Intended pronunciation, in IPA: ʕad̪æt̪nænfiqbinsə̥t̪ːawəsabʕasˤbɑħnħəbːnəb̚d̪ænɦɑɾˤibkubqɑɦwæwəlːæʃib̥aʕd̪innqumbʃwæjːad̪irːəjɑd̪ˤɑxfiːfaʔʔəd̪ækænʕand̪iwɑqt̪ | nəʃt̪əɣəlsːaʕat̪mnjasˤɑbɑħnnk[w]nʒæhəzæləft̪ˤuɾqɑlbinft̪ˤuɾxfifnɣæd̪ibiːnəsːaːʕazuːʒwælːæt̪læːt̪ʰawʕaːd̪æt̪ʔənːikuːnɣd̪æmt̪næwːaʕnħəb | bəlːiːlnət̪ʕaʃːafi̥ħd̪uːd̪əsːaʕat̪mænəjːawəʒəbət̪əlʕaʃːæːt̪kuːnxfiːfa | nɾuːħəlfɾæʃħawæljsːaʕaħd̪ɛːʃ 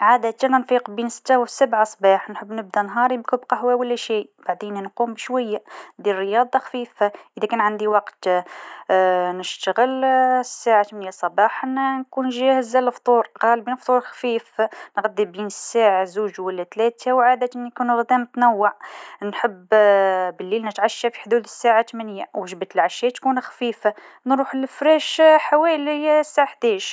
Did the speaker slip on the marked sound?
yes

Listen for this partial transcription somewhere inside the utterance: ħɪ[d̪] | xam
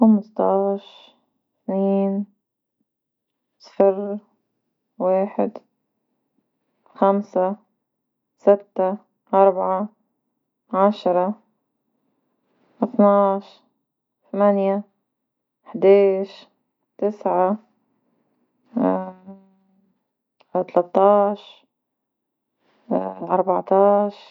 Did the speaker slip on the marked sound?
no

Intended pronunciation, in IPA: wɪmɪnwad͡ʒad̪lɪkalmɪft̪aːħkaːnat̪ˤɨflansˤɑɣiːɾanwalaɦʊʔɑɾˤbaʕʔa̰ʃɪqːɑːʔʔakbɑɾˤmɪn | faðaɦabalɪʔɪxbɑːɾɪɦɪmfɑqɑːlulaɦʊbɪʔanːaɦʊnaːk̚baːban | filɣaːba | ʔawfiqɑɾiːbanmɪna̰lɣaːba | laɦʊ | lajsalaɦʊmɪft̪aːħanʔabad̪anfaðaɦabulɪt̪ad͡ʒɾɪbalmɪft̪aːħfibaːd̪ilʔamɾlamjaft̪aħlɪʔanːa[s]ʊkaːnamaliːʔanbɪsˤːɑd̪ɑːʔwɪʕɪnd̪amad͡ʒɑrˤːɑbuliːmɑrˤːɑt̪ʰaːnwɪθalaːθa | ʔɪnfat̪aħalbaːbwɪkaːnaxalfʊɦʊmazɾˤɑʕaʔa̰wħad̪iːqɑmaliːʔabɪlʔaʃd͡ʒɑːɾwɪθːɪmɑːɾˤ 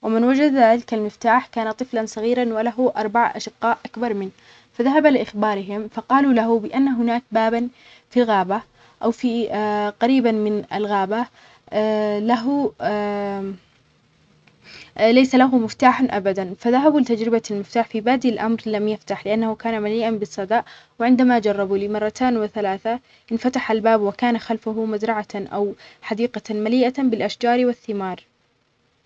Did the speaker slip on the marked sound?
yes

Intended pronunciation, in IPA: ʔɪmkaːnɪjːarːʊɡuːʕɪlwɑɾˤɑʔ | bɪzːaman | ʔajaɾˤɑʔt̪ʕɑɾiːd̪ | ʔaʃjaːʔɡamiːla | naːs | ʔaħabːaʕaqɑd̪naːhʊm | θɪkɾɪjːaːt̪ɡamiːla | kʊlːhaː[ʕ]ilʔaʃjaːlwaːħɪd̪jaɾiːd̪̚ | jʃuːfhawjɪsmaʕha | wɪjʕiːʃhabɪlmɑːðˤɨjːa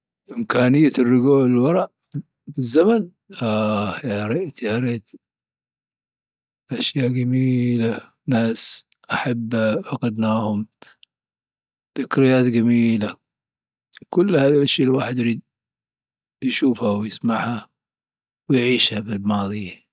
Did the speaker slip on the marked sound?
yes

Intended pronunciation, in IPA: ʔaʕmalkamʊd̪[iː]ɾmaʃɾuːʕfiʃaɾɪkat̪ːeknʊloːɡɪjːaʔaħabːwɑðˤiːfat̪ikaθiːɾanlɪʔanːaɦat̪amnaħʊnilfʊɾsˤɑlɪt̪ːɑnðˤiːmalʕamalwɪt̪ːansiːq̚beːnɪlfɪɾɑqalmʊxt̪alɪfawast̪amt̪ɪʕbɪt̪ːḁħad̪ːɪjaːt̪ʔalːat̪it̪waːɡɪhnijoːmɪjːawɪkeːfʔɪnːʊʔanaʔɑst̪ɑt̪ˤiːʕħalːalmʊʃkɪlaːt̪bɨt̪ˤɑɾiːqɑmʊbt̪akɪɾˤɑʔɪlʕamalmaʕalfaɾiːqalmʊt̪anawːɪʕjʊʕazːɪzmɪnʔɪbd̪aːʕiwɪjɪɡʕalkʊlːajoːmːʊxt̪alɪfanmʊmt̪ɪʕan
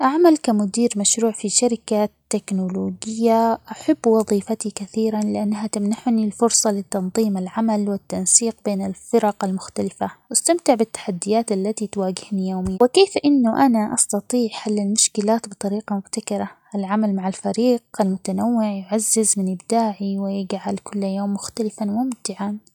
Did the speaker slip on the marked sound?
no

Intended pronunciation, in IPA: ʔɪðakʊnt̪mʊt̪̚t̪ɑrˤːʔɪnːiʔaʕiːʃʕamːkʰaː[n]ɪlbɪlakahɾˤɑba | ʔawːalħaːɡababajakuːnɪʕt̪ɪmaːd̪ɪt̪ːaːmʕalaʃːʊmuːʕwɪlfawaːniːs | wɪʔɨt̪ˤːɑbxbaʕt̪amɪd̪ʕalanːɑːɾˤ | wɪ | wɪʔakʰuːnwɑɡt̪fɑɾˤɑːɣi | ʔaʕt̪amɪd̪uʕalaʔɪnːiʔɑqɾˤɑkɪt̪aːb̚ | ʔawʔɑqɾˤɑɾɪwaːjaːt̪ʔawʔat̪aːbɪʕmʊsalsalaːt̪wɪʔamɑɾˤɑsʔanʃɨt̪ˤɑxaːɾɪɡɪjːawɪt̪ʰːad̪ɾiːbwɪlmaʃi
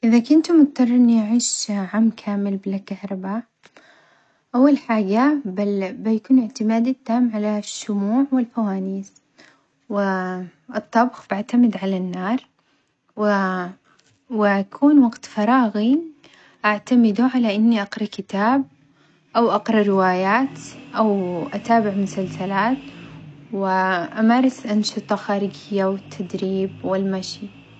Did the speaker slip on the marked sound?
yes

